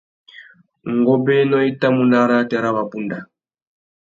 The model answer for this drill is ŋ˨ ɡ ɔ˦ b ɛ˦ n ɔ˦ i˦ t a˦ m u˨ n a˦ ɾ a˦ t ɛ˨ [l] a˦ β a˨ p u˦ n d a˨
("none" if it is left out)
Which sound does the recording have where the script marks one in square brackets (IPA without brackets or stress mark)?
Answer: ɾ